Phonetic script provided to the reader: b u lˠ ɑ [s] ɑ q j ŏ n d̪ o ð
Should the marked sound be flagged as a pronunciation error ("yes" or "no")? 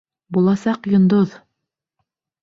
no